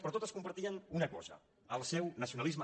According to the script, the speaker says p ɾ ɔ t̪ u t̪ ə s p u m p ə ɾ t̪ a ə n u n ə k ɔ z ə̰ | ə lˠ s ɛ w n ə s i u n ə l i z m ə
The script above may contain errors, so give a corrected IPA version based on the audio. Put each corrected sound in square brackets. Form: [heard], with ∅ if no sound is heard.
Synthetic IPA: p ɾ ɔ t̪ [o] t̪ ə s [k] u m p ə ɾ t̪ [i] ə n u n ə k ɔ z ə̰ | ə lˠ s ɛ w n ə s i u n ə l i z m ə